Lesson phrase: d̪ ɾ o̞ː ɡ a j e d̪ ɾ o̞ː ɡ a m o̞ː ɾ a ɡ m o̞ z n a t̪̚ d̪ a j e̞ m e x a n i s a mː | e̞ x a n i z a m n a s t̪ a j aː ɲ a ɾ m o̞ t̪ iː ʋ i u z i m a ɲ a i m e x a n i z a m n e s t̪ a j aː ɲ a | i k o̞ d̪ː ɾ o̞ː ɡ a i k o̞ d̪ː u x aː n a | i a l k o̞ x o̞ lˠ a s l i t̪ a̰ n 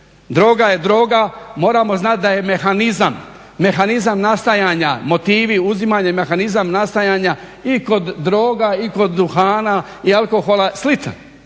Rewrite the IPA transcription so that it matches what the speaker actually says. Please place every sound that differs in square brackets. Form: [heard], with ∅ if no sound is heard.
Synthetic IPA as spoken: d̪ ɾ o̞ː ɡ a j e d̪ ɾ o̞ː ɡ a m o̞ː ɾ a [∅] m o̞ z n a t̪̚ d̪ a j e̞ m e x a n i [z] a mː | e̞ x a n i z a m n a s t̪ a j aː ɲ a [∅] m o̞ t̪ iː ʋ i u z i m a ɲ a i m e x a n i z a m n [a] s t̪ a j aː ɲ a | i k o̞ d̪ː ɾ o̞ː ɡ a i k o̞ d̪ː u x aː n a | i a l k o̞ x o̞ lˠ a s l i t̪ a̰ n